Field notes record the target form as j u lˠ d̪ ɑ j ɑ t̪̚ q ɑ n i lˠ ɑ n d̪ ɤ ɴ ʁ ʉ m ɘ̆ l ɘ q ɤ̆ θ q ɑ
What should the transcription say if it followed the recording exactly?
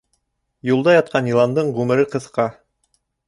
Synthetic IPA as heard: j u lˠ d̪ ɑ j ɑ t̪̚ q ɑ n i lˠ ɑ n d̪ ɤ ɴ ʁ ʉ m ɘ̆ ɾ ɘ q ɤ̆ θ q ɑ